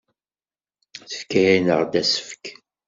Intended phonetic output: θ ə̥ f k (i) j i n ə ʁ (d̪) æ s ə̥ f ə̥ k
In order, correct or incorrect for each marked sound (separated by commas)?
incorrect, correct